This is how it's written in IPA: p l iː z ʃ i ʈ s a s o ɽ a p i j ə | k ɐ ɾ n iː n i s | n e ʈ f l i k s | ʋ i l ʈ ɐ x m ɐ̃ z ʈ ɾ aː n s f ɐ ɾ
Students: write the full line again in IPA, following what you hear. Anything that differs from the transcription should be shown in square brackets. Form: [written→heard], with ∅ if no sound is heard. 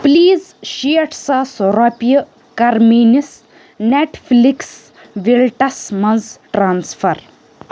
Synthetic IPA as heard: p l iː z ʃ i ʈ s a s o [ɽ→ɾ] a p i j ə | k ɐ ɾ [n→m] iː n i s | n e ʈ f l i k s | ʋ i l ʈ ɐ [x→s] m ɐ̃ z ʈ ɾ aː n s f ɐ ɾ

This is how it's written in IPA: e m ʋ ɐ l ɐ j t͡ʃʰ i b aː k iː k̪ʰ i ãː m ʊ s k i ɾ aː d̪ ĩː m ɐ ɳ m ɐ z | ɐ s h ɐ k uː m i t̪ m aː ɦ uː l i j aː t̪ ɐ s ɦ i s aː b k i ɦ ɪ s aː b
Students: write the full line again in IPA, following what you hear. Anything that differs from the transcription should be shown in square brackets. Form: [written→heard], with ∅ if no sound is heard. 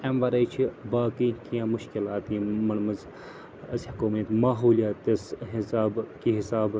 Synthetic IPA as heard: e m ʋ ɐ [l→ɾ] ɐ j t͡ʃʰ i b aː k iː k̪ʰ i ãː m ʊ [s→ʃ] k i [ɾ→l] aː [d̪→t̪] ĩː m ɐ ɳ m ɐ z | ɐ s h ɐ k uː m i t̪ m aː ɦ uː l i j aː t̪ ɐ s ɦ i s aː b k i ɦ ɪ s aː b

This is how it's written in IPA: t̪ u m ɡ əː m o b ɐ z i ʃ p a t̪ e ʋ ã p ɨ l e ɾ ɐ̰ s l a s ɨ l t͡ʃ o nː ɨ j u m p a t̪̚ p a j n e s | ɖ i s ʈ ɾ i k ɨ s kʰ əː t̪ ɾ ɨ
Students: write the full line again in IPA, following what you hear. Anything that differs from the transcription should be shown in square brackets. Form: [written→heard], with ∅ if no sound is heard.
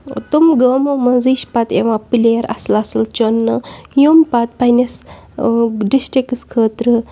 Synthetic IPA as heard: t̪ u m ɡ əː m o [b→m] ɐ z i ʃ p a t̪ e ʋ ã p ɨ l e ɾ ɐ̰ s l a s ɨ l t͡ʃ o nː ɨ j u m p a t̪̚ p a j n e s | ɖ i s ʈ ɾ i k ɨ s kʰ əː t̪ ɾ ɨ

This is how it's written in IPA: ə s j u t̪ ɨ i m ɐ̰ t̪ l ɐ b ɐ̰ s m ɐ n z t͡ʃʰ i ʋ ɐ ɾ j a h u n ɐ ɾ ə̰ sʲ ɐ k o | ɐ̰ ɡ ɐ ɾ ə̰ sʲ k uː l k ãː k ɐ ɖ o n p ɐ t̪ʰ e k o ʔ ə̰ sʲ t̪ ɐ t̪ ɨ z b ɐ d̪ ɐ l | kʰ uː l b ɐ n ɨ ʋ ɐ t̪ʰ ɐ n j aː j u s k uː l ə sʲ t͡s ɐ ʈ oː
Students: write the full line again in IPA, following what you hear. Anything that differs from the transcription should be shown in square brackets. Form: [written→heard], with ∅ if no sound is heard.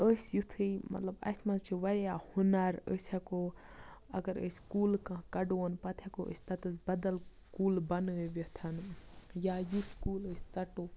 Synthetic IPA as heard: ə s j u [t̪→t̪ʰ] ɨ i m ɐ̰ t̪ l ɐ b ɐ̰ s m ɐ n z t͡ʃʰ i ʋ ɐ ɾ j a h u n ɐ ɾ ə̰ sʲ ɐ k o | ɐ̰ ɡ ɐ ɾ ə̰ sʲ k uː l k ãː k ɐ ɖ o n p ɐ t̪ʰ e k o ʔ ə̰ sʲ t̪ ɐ t̪ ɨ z b ɐ d̪ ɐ l | [kʰ→k] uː l b ɐ n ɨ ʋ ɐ t̪ʰ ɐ n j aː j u s k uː l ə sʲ t͡s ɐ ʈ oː

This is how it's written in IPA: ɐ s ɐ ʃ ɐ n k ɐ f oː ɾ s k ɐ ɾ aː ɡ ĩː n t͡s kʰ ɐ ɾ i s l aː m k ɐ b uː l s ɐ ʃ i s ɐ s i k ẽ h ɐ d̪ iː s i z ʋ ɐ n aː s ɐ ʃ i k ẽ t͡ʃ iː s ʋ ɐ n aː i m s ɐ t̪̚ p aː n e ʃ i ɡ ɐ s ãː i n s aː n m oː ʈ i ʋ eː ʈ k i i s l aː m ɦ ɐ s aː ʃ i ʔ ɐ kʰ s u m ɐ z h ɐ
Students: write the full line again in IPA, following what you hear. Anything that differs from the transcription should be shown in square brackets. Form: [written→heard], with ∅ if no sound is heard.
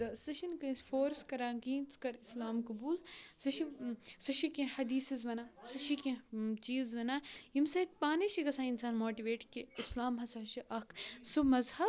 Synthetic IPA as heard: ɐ s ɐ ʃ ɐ n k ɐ f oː ɾ s k ɐ ɾ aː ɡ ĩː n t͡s [kʰ→k] ɐ ɾ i s l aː m k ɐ b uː l s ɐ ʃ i s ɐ [s→ʃ] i k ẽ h ɐ d̪ iː s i z ʋ ɐ n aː s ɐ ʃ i k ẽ t͡ʃ iː [s→z] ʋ ɐ n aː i m s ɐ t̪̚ p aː n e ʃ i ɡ ɐ s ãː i n s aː n m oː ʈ i ʋ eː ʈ k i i s l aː m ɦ ɐ s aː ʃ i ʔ ɐ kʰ s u m ɐ z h ɐ

